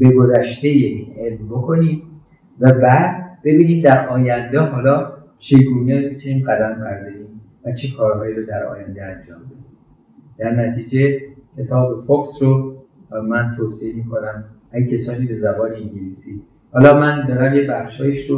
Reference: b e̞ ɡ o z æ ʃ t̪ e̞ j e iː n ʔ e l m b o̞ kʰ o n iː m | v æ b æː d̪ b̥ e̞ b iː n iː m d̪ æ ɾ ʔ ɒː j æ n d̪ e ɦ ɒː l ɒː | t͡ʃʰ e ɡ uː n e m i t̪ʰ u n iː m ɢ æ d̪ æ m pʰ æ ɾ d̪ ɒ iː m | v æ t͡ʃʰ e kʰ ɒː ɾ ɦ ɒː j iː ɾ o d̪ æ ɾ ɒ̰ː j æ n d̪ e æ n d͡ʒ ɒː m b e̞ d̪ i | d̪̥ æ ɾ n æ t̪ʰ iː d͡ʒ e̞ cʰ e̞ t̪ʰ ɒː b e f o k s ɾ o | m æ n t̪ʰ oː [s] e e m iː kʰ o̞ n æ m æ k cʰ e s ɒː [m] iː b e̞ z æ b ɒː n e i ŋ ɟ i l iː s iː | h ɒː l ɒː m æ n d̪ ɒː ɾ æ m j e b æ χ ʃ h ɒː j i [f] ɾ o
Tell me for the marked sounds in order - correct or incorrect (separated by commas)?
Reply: correct, incorrect, incorrect